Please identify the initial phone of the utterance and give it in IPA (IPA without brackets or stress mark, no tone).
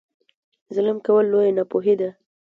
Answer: z